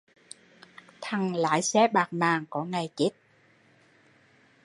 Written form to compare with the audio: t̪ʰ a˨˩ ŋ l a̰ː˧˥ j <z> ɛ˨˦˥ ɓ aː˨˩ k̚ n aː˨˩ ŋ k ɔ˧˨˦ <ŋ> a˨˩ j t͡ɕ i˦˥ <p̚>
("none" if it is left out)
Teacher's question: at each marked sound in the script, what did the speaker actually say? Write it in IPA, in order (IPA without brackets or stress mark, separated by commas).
s, ŋ, t̚